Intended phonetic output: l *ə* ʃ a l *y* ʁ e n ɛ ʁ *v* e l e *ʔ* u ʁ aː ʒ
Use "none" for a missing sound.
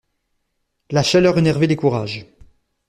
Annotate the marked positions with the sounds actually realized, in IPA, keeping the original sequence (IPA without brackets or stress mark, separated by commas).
a, œ, v, k